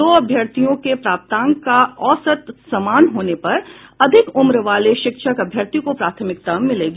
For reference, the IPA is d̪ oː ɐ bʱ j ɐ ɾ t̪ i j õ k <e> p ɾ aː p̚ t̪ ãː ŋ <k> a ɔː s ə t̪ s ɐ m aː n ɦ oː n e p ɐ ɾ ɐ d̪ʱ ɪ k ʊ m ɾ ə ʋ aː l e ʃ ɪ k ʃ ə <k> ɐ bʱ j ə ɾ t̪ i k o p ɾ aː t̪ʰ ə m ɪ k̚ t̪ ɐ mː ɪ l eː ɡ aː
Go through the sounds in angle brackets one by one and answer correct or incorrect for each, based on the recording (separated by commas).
correct, correct, correct